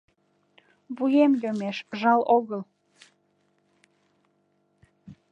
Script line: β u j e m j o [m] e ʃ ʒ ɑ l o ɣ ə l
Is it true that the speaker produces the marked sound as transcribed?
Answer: yes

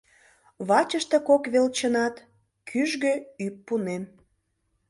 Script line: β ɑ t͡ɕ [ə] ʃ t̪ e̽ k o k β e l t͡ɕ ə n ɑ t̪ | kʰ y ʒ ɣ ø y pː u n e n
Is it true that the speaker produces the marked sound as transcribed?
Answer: yes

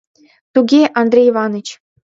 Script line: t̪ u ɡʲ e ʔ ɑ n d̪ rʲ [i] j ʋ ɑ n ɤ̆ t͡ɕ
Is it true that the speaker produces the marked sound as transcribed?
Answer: no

